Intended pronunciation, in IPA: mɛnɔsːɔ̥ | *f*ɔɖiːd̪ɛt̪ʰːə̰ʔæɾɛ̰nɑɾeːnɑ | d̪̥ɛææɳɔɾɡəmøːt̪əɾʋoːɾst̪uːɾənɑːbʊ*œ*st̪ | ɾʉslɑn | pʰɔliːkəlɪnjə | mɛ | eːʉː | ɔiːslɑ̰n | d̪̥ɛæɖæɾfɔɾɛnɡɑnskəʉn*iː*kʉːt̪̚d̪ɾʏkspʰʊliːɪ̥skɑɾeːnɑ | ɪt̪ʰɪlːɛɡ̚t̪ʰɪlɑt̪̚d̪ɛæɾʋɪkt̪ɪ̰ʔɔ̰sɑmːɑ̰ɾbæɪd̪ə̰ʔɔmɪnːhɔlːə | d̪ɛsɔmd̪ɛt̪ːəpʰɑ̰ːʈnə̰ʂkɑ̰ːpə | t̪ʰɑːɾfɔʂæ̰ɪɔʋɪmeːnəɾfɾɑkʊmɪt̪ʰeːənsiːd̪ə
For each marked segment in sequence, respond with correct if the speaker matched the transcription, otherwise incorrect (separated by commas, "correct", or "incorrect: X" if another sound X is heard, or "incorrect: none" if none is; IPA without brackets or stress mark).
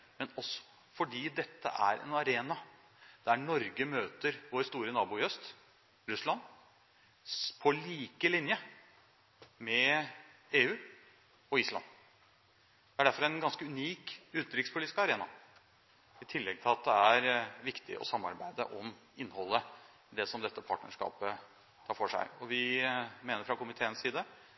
correct, correct, correct